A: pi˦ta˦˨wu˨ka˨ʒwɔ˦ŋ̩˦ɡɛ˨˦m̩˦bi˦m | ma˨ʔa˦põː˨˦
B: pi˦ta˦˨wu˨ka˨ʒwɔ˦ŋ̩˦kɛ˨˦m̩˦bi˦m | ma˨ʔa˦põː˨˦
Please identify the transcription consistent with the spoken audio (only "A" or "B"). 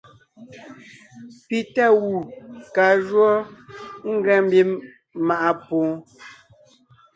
A